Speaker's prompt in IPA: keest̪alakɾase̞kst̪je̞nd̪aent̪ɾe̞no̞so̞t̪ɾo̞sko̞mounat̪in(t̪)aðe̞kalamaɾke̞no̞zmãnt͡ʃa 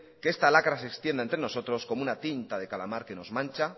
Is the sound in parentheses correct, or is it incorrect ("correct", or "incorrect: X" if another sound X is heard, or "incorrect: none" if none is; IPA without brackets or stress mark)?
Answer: correct